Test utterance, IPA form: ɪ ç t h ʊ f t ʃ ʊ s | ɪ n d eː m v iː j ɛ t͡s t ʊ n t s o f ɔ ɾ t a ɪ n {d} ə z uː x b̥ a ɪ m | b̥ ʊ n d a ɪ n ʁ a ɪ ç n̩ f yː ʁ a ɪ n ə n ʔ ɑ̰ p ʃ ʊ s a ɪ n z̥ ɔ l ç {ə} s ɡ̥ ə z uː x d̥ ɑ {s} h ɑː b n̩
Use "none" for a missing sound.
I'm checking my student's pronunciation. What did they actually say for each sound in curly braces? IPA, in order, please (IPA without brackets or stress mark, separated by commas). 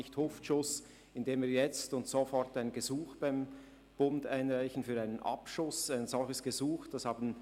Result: ɡ, ə, s